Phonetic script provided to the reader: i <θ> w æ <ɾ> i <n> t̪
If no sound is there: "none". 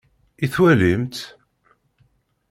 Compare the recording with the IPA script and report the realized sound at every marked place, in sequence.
θ, l, m

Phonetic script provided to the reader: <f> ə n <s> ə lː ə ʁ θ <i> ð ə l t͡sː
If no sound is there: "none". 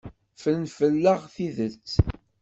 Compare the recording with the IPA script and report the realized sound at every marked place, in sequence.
f, f, i

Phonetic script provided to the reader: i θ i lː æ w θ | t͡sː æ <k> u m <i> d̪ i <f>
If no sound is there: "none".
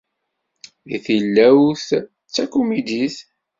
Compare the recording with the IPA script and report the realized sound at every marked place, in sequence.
k, i, θ

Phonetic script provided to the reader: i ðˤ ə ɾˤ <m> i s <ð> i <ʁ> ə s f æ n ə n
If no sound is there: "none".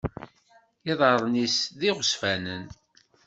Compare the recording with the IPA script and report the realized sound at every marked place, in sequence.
n, ð, ʁ

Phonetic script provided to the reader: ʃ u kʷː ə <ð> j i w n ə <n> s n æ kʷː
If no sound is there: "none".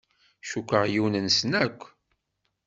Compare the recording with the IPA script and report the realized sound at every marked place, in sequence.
ʁ, n

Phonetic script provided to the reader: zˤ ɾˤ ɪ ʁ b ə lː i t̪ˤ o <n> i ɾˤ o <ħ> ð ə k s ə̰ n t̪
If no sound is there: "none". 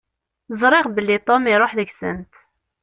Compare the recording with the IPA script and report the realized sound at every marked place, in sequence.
m, ħ

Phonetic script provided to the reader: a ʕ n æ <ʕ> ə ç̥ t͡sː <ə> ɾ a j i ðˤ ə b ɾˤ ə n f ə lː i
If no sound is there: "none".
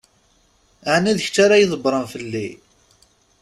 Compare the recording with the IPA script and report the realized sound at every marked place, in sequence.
ð, a

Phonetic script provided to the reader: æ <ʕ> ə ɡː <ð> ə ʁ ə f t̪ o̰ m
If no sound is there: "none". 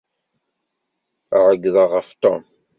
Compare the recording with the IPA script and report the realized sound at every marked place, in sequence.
ʕ, ð

